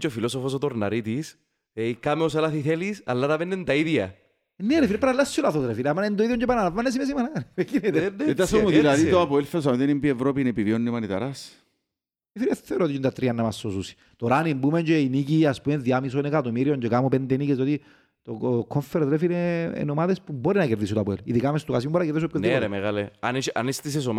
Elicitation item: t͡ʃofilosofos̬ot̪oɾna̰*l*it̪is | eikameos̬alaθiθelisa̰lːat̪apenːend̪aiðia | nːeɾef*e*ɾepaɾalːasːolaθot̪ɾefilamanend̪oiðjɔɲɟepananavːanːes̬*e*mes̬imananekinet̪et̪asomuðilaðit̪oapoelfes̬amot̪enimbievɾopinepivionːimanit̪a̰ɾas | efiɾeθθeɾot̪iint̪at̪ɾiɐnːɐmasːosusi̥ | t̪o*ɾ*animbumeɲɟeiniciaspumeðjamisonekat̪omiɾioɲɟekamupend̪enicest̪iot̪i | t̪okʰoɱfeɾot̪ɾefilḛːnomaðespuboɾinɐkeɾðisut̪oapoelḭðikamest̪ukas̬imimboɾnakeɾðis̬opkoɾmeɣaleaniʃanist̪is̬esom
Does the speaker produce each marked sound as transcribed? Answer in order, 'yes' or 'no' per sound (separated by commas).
no, no, no, yes